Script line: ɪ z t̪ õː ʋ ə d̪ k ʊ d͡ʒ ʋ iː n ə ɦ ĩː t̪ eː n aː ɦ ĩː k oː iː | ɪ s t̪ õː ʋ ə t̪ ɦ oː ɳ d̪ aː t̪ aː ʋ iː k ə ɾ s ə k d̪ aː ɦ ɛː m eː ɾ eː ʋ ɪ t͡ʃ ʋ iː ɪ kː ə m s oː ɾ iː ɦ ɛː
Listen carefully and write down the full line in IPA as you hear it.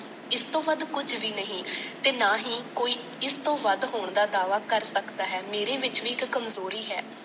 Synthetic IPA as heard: ɪ s t̪ õː ʋ ə d̪ k ʊ d͡ʒ ʋ iː n ə ɦ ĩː t̪ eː n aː ɦ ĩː k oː iː | ɪ s t̪ õː ʋ ə d̪ ɦ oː ɳ d̪ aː d̪ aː ʋ aː k ə ɾ s ə k d̪ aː ɦ ɛː m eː ɾ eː ʋ ɪ t͡ʃ ʋ iː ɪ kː ə m z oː ɾ iː ɦ ɛː

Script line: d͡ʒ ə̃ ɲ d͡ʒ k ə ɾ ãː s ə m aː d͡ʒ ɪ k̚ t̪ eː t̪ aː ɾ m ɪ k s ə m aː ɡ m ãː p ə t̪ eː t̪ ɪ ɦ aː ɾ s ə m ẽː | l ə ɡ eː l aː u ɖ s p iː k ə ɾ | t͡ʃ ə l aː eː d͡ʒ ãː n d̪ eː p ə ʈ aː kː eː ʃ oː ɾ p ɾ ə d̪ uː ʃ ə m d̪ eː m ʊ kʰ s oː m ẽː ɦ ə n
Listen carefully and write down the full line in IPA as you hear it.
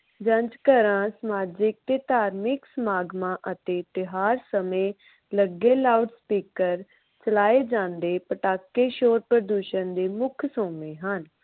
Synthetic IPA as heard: d͡ʒ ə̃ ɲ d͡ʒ k ə ɾ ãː s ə m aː d͡ʒ ɪ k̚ t̪ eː t̪ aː ɾ m ɪ k s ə m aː ɡ m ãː ʔ ə t̪ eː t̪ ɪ ɦ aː ɾ s ə m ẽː | l ə ɡ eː l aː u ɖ s p iː k ə ɾ | t͡ʃ ə l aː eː d͡ʒ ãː n d̪ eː p ə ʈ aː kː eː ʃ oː ɾ p ɾ ə d̪ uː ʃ ə n d̪ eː m ʊ kʰ s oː m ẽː ɦ ə n

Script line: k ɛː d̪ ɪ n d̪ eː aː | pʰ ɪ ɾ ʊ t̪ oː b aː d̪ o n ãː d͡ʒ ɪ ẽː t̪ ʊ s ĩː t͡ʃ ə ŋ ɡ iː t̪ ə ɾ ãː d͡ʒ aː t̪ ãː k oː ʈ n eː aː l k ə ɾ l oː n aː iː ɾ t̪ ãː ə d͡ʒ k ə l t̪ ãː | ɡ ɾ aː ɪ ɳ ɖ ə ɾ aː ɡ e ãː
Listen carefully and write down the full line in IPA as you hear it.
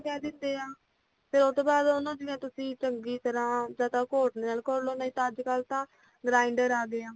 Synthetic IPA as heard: k ɛː d̪ ɪ n d̪ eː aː | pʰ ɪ ɾ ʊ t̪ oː b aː d̪ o n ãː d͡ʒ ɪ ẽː t̪ ʊ s ĩː t͡ʃ ə ŋ ɡ iː t̪ ə ɾ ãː d͡ʒ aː t̪ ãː k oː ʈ n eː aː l k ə ɾ l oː n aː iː t̪ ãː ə d͡ʒ k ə l t̪ ãː | ɡ ɾ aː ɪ ɳ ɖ ə ɾ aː ɡ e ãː

